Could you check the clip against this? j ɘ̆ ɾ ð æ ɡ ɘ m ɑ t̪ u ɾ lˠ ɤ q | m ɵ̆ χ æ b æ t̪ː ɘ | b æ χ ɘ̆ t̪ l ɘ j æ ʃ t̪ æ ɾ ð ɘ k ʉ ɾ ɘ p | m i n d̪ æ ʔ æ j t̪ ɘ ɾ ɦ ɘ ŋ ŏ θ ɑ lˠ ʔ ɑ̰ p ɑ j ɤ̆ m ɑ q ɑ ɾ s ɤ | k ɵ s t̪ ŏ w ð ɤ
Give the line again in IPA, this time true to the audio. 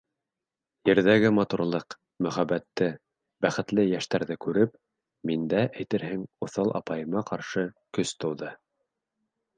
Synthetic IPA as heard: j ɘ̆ ɾ ð æ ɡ ɘ m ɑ t̪ u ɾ lˠ ɤ q | m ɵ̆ χ æ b æ t̪ː ɘ | b æ χ ɘ̆ t̪ l ɘ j æ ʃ t̪ æ ɾ ð ɘ k ʉ ɾ ɘ p | m i n d̪ æ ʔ æ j t̪ ɘ ɾ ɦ ɘ ŋ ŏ θ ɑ lˠ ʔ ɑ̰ p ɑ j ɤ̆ m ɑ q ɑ ɾ ʃ ɤ | k ɵ s t̪ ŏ w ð ɤ